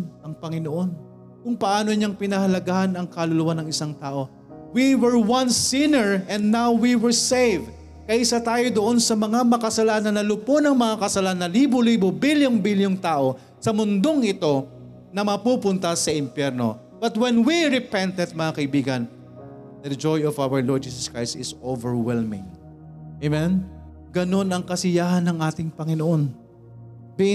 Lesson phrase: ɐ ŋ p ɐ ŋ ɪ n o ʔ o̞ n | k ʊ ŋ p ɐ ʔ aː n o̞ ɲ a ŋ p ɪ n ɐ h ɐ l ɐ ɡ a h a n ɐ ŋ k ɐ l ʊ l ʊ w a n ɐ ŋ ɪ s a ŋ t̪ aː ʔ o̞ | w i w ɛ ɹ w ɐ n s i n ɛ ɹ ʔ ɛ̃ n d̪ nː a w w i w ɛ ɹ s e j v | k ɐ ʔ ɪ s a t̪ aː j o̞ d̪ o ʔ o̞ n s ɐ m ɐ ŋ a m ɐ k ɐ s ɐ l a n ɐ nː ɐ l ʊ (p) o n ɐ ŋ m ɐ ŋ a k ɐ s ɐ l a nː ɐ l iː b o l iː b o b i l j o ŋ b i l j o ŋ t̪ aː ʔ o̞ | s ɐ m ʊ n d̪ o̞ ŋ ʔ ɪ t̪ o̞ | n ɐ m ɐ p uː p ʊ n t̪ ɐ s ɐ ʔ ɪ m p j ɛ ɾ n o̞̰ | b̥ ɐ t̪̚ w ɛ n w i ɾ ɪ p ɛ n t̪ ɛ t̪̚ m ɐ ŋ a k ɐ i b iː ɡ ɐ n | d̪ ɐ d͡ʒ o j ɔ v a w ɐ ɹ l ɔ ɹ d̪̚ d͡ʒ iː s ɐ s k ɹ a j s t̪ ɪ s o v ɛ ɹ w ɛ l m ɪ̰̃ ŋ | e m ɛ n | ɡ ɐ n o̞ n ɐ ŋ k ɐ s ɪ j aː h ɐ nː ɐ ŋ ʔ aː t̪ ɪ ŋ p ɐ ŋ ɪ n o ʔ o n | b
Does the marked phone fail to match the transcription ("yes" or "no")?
no